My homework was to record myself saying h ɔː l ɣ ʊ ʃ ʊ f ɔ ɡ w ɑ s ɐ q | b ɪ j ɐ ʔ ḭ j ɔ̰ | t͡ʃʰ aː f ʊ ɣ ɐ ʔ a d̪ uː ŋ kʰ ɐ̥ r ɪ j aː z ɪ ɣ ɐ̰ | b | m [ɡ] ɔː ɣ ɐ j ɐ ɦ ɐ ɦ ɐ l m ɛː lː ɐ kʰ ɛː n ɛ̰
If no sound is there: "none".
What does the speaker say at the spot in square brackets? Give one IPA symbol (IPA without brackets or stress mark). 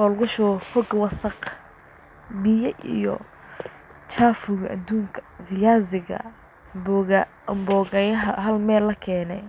b